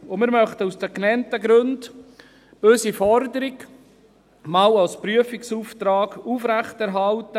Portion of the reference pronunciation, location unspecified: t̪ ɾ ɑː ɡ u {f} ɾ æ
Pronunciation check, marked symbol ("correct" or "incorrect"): correct